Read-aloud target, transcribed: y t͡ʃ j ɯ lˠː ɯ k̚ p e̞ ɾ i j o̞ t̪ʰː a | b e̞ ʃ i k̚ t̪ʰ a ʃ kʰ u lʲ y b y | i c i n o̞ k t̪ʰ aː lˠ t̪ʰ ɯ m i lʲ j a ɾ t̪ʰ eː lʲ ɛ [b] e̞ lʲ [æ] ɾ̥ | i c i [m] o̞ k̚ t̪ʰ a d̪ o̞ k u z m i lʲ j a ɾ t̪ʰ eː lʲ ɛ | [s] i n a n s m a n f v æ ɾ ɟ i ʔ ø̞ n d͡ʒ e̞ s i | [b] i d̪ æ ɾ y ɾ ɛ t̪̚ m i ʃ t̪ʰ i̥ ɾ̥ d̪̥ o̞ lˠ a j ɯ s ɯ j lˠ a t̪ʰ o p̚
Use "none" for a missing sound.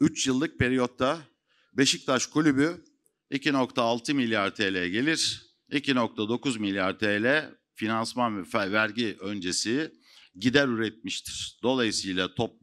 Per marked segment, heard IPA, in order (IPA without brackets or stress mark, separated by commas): ɟ, i, n, f, ɟ